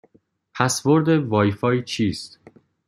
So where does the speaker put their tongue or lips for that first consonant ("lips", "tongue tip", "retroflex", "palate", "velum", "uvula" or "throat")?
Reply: lips